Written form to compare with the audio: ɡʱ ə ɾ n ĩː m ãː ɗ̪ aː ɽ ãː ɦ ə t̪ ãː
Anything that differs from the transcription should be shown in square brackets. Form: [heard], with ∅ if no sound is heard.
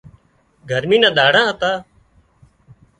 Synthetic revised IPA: ɡʱ ə ɾ [m] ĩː [n] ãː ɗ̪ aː ɽ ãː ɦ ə t̪ [aː]